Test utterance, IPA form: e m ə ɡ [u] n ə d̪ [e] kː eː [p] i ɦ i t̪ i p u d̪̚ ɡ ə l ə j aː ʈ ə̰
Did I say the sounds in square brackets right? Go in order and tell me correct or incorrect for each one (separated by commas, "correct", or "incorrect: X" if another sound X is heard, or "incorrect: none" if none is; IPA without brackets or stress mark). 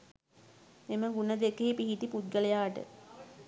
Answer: correct, correct, correct